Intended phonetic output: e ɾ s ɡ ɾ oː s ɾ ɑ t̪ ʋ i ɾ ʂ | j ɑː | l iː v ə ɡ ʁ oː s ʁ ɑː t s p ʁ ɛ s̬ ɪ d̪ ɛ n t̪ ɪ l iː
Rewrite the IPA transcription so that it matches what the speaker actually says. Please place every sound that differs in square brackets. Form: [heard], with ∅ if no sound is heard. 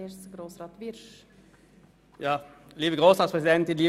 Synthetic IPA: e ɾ s ɡ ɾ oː s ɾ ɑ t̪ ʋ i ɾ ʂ | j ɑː | l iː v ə ɡ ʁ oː s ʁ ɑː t s p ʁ ɛ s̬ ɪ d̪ ɛ n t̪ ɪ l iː